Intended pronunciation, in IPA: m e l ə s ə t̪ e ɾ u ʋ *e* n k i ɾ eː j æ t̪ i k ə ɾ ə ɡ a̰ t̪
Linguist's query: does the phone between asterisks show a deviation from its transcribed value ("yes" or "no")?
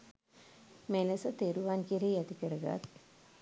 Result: yes